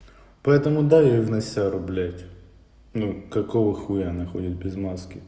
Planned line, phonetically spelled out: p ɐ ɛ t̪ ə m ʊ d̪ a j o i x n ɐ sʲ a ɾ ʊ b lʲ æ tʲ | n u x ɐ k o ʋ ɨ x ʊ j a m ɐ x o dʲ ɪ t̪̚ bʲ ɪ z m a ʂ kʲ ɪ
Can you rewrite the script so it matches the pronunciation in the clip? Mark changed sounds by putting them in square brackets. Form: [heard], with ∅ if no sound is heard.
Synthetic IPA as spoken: p ɐ ɛ t̪ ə m ʊ d̪ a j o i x n ɐ sʲ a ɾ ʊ b lʲ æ tʲ | n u [k] ɐ k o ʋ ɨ x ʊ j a [n] ɐ x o dʲ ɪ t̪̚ bʲ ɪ z m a [s] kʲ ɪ

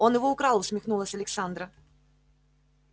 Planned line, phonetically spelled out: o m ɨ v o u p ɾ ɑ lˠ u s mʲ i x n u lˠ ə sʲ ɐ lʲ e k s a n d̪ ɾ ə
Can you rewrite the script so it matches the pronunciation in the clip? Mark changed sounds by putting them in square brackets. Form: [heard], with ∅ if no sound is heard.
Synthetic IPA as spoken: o [n] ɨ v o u [k] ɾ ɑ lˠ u s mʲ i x n u lˠ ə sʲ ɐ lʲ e k s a n d̪ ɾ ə

